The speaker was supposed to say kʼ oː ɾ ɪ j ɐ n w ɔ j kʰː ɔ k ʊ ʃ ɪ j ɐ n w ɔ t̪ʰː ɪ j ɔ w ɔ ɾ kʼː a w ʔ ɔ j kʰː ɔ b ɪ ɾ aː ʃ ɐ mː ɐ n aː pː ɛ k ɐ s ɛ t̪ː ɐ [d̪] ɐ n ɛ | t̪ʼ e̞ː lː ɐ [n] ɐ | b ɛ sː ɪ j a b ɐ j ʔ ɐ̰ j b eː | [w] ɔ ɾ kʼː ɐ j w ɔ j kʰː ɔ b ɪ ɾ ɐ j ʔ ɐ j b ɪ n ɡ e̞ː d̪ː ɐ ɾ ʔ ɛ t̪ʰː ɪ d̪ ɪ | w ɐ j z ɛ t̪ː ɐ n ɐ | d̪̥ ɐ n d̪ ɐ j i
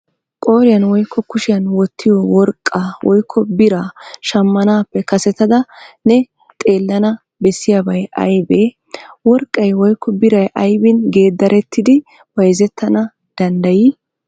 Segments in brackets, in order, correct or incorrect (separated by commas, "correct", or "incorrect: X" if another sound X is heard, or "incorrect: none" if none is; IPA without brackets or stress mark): correct, correct, correct